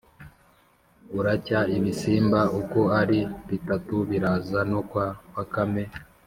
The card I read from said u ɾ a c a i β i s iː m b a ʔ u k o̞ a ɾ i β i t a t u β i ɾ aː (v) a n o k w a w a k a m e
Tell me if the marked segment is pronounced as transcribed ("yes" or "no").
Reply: no